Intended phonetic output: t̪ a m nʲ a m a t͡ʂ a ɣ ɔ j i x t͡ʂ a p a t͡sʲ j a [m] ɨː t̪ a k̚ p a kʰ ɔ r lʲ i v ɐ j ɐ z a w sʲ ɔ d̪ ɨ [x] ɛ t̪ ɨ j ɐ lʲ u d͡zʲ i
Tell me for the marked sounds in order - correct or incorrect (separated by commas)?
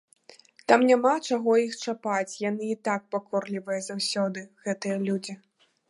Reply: incorrect, incorrect